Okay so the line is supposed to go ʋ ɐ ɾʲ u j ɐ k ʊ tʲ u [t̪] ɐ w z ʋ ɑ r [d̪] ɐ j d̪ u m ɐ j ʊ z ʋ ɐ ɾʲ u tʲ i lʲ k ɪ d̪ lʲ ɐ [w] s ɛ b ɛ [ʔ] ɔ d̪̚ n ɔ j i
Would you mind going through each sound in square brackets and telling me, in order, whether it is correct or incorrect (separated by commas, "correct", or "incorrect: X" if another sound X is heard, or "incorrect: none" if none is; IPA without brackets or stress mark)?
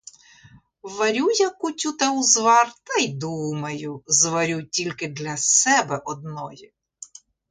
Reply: correct, incorrect: t̪, incorrect: none, correct